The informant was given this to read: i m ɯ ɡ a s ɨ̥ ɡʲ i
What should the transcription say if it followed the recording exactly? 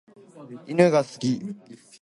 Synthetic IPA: i n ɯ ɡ a s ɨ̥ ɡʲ i